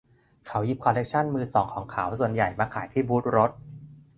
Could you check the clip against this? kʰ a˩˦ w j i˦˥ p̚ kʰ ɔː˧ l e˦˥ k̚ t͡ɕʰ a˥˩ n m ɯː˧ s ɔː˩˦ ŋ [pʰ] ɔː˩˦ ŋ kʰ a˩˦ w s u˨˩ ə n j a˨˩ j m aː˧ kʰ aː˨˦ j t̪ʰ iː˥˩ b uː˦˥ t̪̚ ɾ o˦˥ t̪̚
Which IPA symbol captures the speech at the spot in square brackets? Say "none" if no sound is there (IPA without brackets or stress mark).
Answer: kʰ